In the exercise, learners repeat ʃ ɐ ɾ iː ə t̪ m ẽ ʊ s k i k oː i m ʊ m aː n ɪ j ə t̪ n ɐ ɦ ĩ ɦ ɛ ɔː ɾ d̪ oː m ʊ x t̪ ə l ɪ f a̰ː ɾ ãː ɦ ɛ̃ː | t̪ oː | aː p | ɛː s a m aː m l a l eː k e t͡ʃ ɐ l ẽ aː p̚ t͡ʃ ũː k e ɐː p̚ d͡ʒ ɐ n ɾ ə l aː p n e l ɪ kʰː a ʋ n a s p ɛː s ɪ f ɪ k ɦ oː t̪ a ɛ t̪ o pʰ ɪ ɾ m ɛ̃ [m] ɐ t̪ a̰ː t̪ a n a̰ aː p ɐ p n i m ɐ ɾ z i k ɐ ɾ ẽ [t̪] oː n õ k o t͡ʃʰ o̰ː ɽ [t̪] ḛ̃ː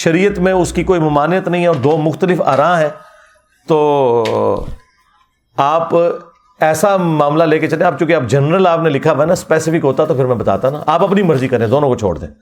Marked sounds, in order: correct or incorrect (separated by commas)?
incorrect, incorrect, incorrect